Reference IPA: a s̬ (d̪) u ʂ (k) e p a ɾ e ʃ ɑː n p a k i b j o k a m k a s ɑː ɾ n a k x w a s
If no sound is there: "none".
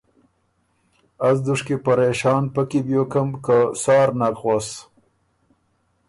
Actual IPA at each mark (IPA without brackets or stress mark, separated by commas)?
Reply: d̪, k